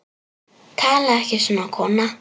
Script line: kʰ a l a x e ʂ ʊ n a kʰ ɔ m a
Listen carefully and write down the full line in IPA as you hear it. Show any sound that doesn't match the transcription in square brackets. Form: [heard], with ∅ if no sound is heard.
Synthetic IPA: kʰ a l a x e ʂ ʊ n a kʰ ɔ [n] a